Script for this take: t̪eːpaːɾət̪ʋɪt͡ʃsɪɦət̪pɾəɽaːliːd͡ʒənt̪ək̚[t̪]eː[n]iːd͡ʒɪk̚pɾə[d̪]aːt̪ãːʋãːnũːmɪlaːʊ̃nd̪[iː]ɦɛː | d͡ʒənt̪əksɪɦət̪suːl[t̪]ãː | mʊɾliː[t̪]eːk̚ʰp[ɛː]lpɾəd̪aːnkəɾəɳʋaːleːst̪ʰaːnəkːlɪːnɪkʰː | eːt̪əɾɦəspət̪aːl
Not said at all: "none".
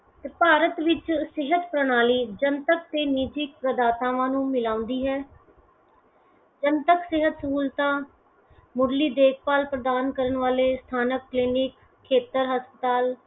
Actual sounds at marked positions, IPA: t̪, n, d̪, iː, t̪, d̪, aː

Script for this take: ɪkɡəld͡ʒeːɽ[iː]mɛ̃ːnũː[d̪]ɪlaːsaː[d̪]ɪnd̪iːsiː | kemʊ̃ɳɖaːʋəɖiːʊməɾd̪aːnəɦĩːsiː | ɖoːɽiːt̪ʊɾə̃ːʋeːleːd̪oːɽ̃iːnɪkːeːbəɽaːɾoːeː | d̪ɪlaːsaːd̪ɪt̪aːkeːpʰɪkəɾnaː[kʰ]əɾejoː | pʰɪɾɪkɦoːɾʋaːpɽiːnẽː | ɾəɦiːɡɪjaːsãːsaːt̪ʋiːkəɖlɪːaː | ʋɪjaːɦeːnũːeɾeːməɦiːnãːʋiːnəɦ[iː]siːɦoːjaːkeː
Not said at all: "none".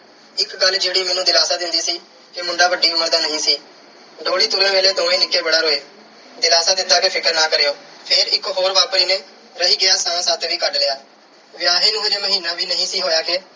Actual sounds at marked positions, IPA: iː, d̪, d̪, k, ĩː

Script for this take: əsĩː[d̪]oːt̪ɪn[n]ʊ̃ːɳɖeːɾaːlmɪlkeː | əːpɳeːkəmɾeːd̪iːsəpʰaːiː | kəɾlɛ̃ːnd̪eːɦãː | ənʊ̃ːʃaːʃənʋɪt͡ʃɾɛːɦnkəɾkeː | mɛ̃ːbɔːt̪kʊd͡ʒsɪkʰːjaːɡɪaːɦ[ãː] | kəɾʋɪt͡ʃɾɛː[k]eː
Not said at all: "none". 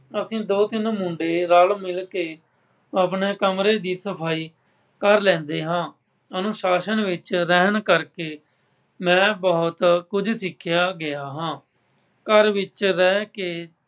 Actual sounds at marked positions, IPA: d̪, m, ãː, k

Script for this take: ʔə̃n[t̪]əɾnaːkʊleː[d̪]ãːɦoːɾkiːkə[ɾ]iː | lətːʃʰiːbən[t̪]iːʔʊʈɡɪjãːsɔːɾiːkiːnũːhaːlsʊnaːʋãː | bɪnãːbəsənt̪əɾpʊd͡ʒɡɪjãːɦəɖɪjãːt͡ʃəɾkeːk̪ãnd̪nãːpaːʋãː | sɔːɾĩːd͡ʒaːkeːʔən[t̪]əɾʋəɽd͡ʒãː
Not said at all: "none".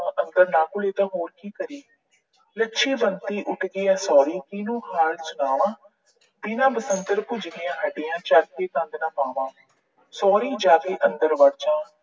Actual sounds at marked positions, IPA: d̪, t̪, ɾ, t̪, d̪

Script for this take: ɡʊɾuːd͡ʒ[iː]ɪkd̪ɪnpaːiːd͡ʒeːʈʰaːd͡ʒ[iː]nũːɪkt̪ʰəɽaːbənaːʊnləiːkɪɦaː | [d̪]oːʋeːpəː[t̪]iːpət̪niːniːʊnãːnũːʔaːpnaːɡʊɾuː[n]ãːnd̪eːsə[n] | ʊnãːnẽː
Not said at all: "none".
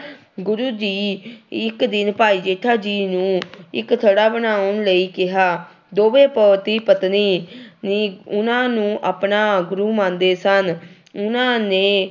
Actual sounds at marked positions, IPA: iː, iː, d̪, t̪, m, n

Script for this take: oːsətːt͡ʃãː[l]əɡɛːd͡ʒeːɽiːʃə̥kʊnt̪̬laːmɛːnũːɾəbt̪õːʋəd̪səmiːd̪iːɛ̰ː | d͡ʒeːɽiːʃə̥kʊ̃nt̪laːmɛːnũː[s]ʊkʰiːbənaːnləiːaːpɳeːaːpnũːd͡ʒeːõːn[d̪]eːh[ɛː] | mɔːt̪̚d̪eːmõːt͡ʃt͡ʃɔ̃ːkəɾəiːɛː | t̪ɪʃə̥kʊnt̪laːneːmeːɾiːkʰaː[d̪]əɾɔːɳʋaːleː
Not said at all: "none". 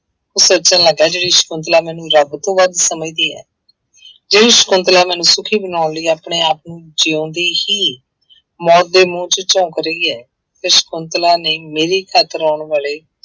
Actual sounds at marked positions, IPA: l, s, d̪, iː, t̪

